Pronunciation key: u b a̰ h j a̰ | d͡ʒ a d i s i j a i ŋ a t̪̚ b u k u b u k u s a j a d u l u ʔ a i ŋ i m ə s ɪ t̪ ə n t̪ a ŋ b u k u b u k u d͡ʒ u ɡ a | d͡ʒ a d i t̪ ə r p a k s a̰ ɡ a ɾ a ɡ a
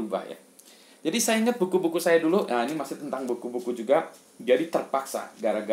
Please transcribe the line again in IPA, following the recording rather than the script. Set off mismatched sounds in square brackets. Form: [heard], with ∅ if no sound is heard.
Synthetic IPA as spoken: u b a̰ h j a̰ | d͡ʒ a d i s [a] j a i ŋ [ə] t̪̚ b u k u b u k u s a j a d u l u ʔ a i [n] i m [a] s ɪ t̪ ə n t̪ a ŋ b u k u b u k u d͡ʒ u ɡ a | d͡ʒ a d i t̪ ə r p a k s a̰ ɡ a ɾ a ɡ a